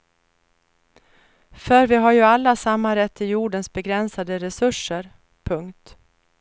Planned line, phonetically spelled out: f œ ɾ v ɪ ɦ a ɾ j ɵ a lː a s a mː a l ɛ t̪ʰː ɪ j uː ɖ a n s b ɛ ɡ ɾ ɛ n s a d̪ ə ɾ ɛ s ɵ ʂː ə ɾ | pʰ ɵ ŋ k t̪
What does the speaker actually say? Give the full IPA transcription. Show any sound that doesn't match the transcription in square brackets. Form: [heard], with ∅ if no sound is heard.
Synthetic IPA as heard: f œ ɾ v ɪ ɦ a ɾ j ɵ a lː a s a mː a [ɾ] ɛ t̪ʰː ɪ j uː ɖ [ə] n s b ɛ ɡ ɾ ɛ n s a d̪ ə ɾ ɛ s ɵ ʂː ə ɾ | pʰ ɵ ŋ k t̪

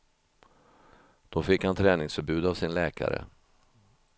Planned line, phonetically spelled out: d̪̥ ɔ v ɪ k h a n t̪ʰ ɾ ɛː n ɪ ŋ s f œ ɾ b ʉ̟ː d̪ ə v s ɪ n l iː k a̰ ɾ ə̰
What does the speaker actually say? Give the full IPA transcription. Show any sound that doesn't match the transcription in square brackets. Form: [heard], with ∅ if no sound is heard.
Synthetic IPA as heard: d̪̥ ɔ [f] ɪ k h a n t̪ʰ ɾ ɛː n ɪ ŋ s f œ ɾ b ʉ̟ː d̪ [a] v s ɪ n l [ɛː] k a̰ ɾ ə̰

